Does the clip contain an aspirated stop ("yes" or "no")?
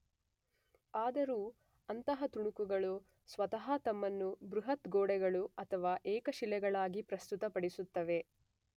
yes